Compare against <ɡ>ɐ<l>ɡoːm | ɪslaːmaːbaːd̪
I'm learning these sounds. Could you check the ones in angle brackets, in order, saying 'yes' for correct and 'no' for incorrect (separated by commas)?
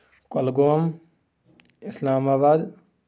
no, yes